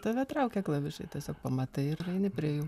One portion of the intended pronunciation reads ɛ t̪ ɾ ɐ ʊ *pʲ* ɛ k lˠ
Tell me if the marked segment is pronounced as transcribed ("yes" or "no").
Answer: no